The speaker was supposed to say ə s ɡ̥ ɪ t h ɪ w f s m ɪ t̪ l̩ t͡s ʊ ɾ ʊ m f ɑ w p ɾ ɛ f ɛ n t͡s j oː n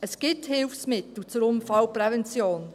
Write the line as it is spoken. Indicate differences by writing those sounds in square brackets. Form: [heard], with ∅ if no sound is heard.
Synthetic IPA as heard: ə s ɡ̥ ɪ t h ɪ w f s m ɪ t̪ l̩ t͡s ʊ ɾ ʊ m f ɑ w p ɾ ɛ [v] ɛ n t͡s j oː n